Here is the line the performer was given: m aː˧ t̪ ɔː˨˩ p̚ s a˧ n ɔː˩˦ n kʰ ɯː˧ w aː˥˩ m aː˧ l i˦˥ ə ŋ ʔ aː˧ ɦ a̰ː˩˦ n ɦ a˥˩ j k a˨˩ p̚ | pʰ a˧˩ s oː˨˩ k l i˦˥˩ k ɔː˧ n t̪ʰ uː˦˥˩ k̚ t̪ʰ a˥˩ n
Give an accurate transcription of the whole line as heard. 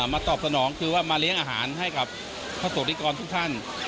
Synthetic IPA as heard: m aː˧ t̪ ɔː˨˩ p̚ s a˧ n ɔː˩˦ ŋ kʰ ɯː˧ w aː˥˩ m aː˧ l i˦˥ ə ŋ ʔ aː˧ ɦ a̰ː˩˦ n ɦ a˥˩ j k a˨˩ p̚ | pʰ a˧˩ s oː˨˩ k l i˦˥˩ k ɔː˧ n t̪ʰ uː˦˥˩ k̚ t̪ʰ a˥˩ n